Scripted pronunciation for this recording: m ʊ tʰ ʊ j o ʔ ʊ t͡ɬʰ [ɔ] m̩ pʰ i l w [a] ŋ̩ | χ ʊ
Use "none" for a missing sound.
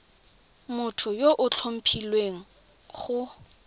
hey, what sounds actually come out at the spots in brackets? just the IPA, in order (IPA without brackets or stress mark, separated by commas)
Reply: o, e